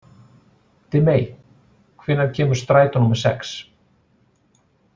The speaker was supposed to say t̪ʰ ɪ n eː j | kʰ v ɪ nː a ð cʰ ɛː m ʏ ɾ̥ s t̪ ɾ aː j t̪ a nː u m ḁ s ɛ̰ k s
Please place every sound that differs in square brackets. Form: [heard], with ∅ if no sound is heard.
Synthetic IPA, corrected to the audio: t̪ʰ ɪ [m] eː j | kʰ v ɪ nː a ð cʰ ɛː m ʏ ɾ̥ s t̪ ɾ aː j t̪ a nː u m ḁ s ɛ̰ k s